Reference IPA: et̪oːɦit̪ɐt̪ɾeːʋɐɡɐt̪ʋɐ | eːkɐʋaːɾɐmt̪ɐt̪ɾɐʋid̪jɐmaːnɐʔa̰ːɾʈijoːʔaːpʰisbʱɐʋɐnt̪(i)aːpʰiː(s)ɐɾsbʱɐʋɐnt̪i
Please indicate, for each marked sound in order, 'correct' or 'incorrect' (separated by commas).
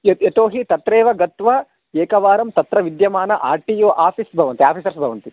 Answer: correct, correct